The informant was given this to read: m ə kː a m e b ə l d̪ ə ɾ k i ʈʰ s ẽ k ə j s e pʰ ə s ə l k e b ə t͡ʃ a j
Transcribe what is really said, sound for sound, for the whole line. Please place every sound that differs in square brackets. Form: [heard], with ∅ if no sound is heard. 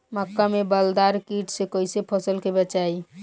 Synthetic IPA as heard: m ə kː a m e b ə l d̪ [a] ɾ k i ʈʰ s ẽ k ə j s e pʰ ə s ə l k e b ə t͡ʃ a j